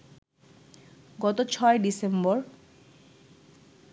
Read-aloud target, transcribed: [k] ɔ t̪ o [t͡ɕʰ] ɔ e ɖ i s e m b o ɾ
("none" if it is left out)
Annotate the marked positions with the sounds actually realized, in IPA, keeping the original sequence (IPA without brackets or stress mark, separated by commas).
ɡ, t͡ɕʰ